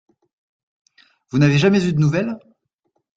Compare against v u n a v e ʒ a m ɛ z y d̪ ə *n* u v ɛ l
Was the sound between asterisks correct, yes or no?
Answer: yes